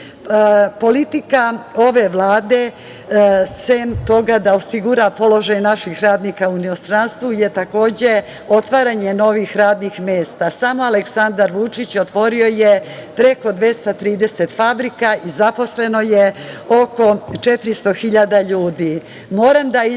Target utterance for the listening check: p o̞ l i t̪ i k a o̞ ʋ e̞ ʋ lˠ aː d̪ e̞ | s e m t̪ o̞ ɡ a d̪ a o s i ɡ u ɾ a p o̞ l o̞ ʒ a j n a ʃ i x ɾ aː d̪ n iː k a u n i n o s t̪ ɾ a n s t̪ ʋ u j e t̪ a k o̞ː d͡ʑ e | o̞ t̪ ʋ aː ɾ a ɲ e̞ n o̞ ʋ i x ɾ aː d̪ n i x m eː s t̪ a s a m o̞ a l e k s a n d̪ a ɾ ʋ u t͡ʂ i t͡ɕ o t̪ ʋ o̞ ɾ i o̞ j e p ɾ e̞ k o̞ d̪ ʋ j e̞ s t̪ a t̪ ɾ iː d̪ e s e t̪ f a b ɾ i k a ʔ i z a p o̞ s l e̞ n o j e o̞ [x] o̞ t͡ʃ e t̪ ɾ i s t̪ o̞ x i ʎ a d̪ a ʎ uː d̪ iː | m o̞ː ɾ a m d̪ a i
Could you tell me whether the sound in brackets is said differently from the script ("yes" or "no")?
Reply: yes